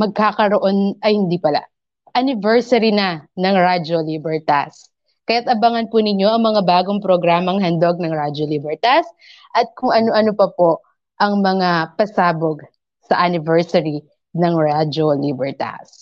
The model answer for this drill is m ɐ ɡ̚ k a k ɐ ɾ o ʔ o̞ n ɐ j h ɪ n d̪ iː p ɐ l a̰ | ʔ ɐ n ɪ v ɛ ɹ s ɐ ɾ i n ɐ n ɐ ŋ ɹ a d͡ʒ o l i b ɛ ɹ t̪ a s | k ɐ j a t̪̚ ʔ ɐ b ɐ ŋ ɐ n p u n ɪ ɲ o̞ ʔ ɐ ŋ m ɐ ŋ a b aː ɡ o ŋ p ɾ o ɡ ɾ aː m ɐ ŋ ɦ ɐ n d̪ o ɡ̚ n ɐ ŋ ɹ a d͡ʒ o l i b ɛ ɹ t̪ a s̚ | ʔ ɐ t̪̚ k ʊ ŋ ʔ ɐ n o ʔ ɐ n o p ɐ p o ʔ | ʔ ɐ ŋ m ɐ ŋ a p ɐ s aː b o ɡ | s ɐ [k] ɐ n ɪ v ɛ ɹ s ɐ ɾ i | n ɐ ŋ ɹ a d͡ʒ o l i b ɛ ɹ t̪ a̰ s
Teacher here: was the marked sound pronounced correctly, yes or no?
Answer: no